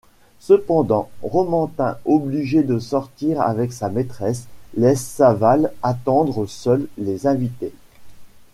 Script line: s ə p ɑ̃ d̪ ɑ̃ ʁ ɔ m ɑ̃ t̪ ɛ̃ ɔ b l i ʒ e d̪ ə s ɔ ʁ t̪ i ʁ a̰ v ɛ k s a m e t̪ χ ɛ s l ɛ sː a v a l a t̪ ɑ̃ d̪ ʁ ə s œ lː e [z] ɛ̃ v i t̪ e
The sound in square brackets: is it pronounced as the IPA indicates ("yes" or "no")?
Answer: yes